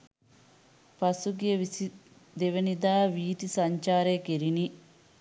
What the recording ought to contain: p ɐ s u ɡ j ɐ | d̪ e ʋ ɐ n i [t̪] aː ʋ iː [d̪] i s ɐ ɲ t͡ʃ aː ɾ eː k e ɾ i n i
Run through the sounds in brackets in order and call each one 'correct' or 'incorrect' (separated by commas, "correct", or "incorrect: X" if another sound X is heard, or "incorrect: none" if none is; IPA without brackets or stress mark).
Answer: incorrect: d̪, incorrect: t̪